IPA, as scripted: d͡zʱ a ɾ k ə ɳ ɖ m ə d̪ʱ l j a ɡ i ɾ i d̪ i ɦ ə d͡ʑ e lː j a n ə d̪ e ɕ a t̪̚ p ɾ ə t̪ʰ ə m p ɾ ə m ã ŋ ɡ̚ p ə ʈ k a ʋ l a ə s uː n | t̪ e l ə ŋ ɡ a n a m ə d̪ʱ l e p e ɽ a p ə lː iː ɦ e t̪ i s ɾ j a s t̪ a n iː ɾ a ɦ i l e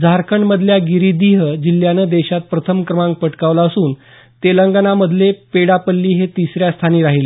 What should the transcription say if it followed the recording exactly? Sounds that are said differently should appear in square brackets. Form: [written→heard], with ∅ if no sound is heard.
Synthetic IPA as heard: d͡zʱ a ɾ k ə ɳ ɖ m ə d̪ʱ l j a ɡ i ɾ i d̪ i ɦ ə d͡ʑ [e→i] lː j a n ə d̪ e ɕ a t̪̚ p ɾ ə t̪ʰ ə m [p→k] ɾ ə m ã ŋ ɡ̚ p ə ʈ k a ʋ l a ə s uː n | t̪ e l ə ŋ ɡ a n a m ə d̪ʱ l e p e ɽ a p ə lː iː ɦ e t̪ i s ɾ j a s [t̪→t̪ʰ] a n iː ɾ a ɦ i l e